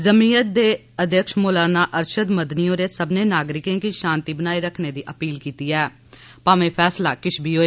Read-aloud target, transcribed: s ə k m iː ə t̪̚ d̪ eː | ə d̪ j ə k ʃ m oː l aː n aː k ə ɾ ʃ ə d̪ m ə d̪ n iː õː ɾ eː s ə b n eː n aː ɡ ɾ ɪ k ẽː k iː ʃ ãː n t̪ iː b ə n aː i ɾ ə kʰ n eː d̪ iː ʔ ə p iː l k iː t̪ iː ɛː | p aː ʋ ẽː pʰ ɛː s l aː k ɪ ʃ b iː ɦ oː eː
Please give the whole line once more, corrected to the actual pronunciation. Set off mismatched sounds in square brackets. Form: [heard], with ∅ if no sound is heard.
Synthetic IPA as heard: [z] ə [∅] m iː ə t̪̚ d̪ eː | ə d̪ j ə k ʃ m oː l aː n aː [ʔ] ə ɾ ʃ ə d̪ m ə d̪ n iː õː ɾ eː s ə b n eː n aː ɡ ɾ ɪ k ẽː k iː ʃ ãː n t̪ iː b ə n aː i ɾ ə kʰ n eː d̪ iː ʔ ə p iː l k iː t̪ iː ɛː | p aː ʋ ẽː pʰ ɛː s l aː k ɪ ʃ b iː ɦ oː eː